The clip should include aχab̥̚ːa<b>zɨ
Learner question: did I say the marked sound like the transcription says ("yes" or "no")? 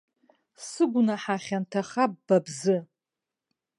yes